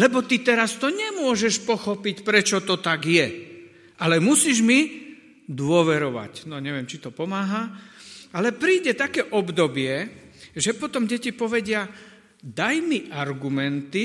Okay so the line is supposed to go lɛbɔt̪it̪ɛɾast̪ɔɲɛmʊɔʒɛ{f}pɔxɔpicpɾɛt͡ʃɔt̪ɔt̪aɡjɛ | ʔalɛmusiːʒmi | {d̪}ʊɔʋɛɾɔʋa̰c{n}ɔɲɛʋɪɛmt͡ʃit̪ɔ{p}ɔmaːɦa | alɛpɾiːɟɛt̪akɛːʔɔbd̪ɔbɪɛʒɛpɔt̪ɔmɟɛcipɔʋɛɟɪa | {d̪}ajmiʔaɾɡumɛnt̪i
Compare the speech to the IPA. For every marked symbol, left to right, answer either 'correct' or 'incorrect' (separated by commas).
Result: incorrect, correct, correct, correct, correct